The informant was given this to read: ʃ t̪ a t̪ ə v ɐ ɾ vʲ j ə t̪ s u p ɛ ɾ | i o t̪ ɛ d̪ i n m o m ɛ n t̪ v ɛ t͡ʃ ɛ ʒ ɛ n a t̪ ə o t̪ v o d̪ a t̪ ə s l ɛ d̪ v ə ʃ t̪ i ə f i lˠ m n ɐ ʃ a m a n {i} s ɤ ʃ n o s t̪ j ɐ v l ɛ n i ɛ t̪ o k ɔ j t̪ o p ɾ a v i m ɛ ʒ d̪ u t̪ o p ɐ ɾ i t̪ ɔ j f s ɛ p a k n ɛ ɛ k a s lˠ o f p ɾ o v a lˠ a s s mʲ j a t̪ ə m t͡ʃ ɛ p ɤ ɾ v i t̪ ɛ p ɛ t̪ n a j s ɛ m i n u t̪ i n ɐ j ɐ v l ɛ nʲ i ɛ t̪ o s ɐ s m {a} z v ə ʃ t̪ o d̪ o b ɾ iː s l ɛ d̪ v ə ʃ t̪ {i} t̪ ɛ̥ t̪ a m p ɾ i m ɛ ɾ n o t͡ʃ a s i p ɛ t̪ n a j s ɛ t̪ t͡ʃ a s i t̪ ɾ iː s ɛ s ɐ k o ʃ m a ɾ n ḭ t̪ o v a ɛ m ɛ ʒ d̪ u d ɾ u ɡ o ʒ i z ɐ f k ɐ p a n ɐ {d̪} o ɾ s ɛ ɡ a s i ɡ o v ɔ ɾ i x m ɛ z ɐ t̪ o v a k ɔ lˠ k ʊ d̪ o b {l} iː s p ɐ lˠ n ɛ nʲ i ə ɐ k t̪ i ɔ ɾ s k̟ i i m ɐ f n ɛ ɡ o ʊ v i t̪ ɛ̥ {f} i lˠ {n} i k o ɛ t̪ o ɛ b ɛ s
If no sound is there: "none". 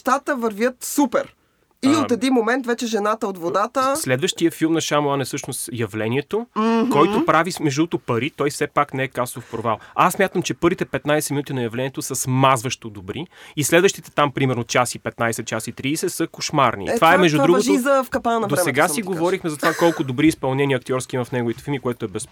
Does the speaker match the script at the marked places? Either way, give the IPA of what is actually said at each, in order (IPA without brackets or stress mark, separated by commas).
ɛ, a, i, d̪, ɾ, f, m